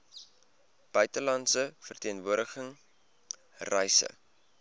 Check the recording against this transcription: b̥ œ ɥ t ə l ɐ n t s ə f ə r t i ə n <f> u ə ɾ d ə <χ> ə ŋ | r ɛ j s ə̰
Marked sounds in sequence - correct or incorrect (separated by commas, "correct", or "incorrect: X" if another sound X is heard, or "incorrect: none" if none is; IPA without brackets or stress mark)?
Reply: incorrect: v, correct